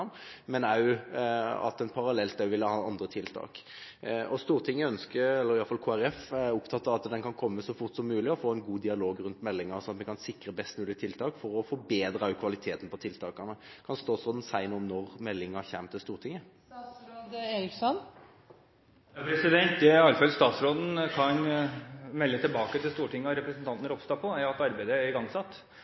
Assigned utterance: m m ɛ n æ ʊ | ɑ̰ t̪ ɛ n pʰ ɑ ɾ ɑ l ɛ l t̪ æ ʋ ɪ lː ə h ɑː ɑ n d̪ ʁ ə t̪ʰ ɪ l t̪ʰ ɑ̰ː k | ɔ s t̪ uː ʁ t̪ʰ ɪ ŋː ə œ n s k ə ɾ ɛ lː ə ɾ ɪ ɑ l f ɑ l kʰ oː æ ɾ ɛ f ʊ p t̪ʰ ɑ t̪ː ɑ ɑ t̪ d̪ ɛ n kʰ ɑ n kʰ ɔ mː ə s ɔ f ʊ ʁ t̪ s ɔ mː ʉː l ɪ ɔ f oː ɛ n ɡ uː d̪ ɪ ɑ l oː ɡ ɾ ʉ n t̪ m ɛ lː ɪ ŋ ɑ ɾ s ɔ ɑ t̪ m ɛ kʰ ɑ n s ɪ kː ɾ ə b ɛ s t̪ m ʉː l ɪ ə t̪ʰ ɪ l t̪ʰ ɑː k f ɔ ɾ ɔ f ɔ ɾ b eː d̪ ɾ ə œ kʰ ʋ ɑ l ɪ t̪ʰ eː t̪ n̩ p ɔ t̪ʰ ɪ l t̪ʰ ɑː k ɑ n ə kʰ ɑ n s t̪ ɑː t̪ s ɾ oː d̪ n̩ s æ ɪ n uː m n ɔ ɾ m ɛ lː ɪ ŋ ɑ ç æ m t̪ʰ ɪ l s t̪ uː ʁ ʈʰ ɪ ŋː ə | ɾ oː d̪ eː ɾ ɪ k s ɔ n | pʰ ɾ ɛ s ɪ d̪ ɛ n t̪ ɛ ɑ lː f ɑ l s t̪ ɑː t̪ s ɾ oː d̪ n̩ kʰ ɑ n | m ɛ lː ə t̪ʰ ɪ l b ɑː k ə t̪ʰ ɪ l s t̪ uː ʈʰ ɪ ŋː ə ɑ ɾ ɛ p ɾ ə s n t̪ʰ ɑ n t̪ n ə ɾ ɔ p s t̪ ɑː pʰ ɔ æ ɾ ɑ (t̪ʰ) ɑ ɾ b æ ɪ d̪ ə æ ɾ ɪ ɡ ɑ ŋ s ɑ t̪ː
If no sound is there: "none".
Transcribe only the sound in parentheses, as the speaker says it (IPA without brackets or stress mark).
t̪